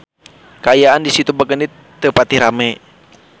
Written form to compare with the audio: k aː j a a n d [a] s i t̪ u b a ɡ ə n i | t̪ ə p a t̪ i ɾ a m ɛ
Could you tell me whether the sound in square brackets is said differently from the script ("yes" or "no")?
yes